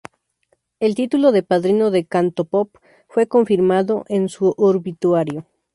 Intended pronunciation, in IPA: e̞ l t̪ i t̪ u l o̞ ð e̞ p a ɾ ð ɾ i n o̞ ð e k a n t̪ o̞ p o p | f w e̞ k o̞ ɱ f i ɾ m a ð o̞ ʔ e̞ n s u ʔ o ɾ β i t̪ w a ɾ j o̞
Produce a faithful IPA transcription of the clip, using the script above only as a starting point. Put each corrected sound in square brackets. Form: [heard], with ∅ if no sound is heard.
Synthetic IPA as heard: e̞ l t̪ i t̪ u l o̞ ð e̞ p a [∅] ð ɾ i n o̞ ð e k a n t̪ o̞ p o p | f w e̞ k o̞ ɱ f i ɾ m a ð o̞ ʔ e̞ n s u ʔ o ɾ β i t̪ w a ɾ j o̞